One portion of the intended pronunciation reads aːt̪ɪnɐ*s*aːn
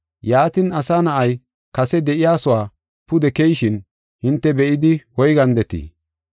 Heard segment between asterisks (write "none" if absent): s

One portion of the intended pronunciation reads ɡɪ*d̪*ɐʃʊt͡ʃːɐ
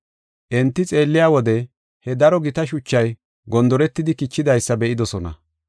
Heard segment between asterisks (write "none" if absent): t̪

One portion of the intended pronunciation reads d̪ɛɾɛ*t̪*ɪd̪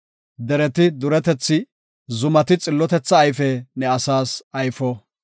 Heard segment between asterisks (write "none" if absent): t̪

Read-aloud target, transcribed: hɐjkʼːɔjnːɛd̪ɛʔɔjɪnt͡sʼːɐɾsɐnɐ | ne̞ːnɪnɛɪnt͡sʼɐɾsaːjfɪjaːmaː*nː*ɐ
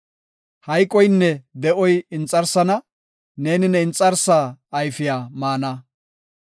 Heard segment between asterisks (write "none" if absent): n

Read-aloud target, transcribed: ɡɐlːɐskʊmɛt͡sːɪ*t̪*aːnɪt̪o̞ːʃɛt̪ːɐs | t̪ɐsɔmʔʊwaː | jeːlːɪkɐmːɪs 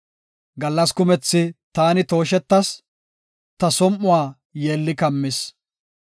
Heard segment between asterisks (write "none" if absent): t̪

